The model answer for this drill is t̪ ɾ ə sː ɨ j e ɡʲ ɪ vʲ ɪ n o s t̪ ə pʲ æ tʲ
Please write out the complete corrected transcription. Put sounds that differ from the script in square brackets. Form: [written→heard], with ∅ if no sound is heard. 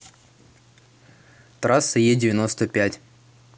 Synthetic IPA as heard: t̪ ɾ [ə→a] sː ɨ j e [ɡʲ→dʲ] ɪ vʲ ɪ n o s t̪ ə pʲ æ tʲ